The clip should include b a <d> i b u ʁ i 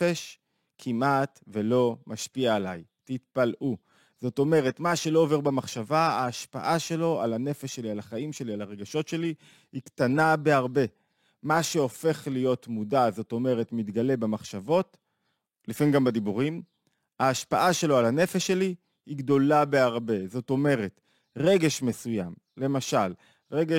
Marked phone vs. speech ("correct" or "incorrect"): correct